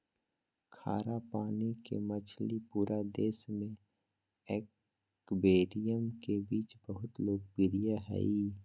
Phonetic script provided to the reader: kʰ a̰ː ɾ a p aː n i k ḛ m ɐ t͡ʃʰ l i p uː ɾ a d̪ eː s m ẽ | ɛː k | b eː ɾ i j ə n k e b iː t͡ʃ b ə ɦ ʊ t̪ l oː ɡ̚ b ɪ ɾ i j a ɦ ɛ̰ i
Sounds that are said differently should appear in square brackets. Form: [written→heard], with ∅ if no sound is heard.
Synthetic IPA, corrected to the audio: kʰ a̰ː ɾ a p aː n i k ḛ m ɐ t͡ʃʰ l i p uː ɾ a d̪ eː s m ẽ | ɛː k | b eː ɾ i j ə [n→m] k e b iː t͡ʃ b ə ɦ ʊ t̪ l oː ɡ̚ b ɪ ɾ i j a ɦ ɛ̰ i